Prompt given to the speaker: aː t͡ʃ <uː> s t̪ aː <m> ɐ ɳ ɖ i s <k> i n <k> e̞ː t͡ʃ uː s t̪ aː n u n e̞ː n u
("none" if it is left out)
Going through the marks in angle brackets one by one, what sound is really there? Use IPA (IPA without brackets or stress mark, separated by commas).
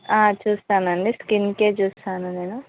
uː, n, k, k